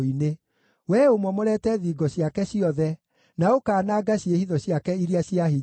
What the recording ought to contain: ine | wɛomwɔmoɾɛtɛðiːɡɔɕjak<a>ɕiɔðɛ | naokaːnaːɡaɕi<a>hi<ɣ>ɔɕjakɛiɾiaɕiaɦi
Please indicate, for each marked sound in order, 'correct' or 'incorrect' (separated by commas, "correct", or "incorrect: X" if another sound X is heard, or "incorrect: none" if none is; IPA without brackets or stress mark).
incorrect: ɛ, incorrect: e, incorrect: ð